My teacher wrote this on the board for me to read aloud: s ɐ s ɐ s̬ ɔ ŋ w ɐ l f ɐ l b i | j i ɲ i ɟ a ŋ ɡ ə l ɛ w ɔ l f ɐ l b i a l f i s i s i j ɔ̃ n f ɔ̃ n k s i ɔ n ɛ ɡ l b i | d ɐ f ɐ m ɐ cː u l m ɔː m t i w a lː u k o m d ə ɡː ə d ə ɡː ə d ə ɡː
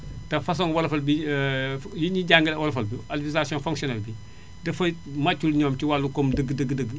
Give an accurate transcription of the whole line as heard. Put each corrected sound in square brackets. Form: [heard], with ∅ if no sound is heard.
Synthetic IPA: [t] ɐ [f] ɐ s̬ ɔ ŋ w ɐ l f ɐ l b i | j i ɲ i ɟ a ŋ ɡ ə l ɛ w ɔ l f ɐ l b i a l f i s [a] s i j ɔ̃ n f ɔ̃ [ŋ] k s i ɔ n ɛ [∅] l b i | d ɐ f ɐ m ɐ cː u l [ɲ] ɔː m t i w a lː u k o m d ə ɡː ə d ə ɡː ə d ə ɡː